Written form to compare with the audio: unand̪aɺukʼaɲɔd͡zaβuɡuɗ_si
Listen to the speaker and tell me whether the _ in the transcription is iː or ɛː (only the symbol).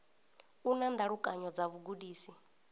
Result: iː